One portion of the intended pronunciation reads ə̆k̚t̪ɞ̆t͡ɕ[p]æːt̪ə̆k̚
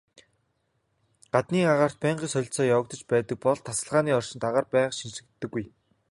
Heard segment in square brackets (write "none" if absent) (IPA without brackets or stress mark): p